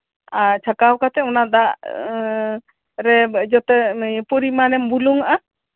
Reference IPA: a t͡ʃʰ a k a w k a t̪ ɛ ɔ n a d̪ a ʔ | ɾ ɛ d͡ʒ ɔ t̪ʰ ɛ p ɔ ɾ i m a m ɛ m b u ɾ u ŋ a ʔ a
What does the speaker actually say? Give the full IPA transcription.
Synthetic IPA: a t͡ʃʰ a k a w k a t̪ ɛ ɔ n a d̪ a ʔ | ɾ ɛ d͡ʒ ɔ t̪ ɛ p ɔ ɾ i m a n ɛ m b u l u ŋ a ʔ a